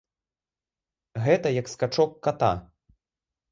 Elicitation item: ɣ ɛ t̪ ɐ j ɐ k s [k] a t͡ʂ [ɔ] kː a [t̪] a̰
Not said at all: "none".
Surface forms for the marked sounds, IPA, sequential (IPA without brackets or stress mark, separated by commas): k, ɔ, t̪